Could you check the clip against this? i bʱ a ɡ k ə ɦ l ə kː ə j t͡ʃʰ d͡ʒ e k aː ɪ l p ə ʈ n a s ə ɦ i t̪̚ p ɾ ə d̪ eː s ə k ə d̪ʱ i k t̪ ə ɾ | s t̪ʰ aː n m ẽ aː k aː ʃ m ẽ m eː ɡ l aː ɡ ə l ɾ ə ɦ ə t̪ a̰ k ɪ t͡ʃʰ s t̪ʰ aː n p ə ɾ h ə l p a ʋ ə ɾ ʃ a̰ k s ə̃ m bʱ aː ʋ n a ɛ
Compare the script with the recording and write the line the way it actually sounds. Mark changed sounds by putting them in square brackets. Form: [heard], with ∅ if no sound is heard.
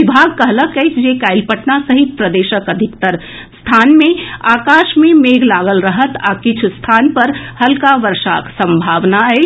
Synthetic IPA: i bʱ a ɡ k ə ɦ l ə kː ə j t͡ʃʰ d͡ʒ e k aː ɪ l p ə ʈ n a s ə ɦ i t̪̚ p ɾ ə d̪ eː [ʃ] ə k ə d̪ʱ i k t̪ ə ɾ | s t̪ʰ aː n m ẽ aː k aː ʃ m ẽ m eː ɡ l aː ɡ ə l ɾ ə ɦ ə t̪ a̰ k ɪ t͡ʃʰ s t̪ʰ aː n p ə ɾ h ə l [k] a ʋ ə ɾ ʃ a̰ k s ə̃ m bʱ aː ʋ n a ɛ